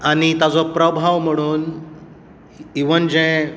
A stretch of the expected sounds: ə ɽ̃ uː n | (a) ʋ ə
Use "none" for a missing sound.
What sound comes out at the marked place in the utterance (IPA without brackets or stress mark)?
i